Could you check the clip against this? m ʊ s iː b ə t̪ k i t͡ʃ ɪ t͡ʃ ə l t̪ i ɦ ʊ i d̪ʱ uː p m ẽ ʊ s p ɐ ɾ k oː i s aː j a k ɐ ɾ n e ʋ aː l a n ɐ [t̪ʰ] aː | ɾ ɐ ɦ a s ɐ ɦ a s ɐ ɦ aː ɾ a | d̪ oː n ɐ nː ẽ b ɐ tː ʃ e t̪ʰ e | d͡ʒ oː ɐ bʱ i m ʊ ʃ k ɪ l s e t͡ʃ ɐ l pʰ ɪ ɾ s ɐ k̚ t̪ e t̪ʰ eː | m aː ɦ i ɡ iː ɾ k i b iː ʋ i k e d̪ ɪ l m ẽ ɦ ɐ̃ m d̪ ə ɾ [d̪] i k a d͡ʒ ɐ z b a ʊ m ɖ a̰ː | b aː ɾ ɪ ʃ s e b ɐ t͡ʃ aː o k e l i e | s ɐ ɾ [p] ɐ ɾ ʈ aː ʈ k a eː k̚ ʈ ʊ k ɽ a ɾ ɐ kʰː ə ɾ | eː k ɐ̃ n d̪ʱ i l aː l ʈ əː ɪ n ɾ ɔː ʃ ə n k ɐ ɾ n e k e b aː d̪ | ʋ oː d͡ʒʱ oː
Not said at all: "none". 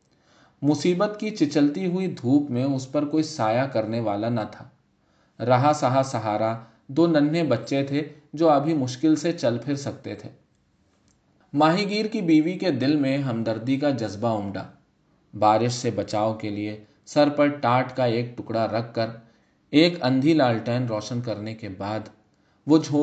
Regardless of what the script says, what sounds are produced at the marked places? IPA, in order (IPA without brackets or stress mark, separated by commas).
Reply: t̪ʰ, d̪, p